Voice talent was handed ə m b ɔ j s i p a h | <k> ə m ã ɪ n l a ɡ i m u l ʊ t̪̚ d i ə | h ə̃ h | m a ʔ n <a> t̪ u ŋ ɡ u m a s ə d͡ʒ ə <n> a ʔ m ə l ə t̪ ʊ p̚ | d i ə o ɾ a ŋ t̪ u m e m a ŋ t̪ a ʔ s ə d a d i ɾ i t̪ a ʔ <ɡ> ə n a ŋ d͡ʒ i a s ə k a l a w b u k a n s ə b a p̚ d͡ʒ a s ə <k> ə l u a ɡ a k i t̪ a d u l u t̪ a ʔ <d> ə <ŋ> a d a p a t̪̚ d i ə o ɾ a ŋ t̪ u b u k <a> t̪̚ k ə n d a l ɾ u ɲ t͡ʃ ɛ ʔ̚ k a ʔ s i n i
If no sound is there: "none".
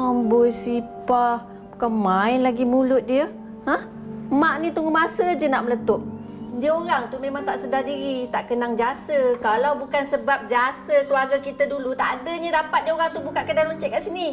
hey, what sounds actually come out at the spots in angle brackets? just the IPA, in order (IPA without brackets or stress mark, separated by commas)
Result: k, i, n, k, k, d, ɲ, a